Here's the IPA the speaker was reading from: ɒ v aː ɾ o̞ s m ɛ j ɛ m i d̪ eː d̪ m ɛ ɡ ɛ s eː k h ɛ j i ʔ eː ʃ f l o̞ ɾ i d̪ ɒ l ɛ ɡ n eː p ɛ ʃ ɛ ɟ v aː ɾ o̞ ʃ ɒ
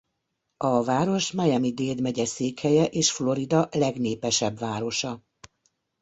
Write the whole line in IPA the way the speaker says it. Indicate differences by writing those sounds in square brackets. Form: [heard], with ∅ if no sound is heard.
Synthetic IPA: ɒ v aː ɾ o̞ [ʃ] m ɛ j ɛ m i d̪ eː d̪ m ɛ [ɟ] ɛ s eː k h ɛ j [ɛ] ʔ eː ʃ f l o̞ ɾ i d̪ ɒ l ɛ ɡ n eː p ɛ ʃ ɛ [b] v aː ɾ o̞ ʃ ɒ